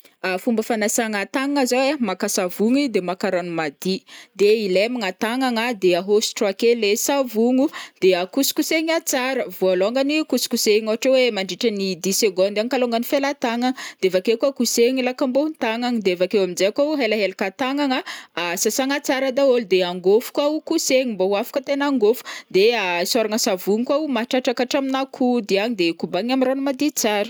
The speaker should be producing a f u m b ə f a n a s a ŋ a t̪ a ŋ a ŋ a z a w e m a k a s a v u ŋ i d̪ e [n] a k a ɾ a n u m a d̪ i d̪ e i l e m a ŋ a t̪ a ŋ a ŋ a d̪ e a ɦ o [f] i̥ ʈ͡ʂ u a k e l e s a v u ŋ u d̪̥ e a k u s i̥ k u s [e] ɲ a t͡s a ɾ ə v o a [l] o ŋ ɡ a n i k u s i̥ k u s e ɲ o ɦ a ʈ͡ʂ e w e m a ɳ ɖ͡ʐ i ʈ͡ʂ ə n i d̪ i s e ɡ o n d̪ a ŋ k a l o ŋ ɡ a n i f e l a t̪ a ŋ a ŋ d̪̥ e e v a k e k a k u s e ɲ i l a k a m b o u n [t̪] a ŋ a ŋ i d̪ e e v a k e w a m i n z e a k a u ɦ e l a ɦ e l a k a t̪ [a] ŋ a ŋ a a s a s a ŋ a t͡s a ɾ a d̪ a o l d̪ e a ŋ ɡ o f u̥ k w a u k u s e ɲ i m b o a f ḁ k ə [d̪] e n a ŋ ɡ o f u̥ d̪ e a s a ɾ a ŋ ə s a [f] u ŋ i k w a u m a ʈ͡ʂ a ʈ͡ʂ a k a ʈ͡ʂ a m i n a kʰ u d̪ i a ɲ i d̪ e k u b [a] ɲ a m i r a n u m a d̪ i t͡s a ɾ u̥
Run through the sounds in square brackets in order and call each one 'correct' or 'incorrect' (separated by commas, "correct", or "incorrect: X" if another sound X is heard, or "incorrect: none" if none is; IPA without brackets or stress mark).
incorrect: m, incorrect: s, correct, correct, correct, correct, incorrect: t̪, incorrect: v, correct